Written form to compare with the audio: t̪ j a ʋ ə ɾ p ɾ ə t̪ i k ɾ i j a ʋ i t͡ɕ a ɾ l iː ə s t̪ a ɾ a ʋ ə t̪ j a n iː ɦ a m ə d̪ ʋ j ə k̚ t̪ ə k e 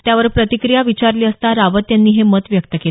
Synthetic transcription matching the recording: t̪ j a ʋ ə ɾ p ɾ ə t̪ i k ɾ i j a ʋ i t͡ɕ a ɾ l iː ə s t̪ a ɾ a ʋ ə t̪ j a nː iː ɦ e m ə t̪ ʋ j ə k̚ t̪ ə k e